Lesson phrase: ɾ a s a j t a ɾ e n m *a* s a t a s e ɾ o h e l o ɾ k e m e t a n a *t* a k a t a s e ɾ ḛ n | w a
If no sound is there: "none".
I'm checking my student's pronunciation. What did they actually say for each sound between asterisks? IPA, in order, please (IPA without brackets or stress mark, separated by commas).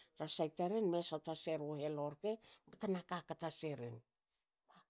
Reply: e, k